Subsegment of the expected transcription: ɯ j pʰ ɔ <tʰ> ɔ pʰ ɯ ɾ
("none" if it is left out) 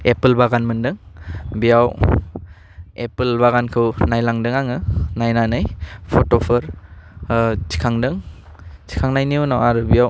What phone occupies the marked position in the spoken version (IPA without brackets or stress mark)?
t